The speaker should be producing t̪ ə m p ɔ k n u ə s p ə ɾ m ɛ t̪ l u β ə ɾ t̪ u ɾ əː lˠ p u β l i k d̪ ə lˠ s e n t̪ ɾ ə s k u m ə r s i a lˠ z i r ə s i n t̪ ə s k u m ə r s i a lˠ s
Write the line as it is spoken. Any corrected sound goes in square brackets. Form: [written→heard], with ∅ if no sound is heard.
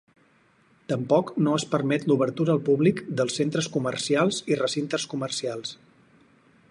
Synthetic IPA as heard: t̪ ə m p ɔ k n [u→o] ə s p ə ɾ m ɛ t̪ l u β ə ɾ t̪ u ɾ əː lˠ p u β l i k d̪ ə lˠ s e n t̪ ɾ ə s k u m ə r s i a lˠ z i r ə s i n t̪ ə s k u m ə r s i a lˠ s